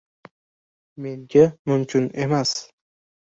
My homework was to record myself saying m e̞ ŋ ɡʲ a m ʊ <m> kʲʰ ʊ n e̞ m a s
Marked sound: correct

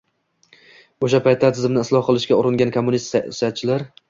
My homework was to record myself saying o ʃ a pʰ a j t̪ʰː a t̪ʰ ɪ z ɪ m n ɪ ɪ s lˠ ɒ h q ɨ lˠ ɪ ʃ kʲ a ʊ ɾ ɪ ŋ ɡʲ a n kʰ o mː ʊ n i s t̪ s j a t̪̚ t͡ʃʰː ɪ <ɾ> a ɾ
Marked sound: incorrect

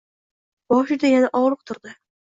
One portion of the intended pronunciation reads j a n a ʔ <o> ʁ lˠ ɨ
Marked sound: incorrect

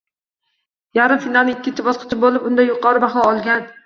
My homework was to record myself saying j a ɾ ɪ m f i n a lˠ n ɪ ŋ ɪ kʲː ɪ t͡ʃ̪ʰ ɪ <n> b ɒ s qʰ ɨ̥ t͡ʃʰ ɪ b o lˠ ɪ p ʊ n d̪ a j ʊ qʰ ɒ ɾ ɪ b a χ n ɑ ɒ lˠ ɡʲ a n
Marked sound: incorrect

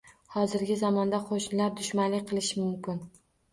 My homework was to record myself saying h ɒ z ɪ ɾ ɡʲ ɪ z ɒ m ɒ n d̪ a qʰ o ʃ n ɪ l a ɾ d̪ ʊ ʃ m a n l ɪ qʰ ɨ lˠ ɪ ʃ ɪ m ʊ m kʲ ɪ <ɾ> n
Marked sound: incorrect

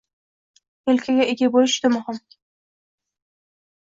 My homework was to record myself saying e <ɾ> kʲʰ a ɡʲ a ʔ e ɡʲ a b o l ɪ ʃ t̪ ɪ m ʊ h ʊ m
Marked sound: incorrect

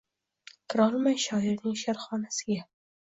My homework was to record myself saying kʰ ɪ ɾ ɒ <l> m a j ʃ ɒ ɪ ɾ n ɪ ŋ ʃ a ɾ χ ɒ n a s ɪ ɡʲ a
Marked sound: correct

